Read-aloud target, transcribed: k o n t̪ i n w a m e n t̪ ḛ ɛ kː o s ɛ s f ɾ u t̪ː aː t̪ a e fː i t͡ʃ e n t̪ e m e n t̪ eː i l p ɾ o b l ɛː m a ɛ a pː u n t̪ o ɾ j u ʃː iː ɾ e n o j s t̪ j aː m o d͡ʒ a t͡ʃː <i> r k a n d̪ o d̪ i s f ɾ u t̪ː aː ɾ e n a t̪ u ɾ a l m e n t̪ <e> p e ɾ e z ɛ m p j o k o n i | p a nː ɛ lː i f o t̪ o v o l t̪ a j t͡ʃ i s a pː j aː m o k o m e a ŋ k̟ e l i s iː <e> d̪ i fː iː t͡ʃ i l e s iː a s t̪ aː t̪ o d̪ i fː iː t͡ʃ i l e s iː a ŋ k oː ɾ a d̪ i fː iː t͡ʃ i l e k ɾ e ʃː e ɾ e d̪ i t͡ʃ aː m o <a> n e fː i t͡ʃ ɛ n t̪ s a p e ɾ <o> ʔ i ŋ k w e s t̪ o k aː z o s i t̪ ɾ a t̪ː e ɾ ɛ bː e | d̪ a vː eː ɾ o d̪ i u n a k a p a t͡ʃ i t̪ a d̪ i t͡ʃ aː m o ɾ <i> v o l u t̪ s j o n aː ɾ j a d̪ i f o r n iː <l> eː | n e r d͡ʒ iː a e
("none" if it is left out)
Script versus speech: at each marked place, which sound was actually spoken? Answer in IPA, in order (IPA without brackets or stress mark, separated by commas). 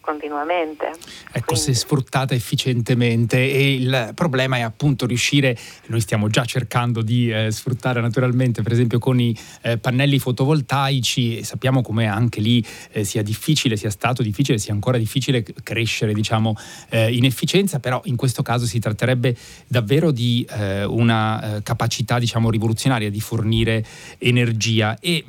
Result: e, e, a, i, ɔ, i, ɾ